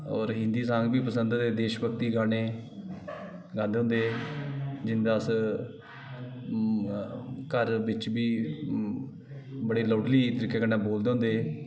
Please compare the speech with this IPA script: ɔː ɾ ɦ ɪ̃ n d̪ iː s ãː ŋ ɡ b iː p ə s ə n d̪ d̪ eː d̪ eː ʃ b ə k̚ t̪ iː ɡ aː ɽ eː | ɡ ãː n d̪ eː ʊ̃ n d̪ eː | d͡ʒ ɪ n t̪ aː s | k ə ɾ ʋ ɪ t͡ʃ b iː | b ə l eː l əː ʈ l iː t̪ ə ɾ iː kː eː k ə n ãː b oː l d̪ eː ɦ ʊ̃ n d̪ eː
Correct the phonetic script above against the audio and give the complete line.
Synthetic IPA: ɔː ɾ ɦ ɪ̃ n d̪ iː s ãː ŋ ɡ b iː p ə s ə n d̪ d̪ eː d̪ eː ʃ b ə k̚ t̪ iː ɡ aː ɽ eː | ɡ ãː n d̪ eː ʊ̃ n d̪ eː | d͡ʒ ɪ n d̪ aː s | k ə ɾ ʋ ɪ t͡ʃ b iː | b ə ɽ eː l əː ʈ l iː t̪ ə ɾ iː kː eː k ə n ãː b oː l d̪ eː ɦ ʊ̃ n d̪ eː